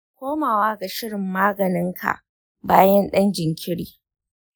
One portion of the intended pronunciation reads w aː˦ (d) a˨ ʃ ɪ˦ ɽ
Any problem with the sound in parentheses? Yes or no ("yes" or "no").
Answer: yes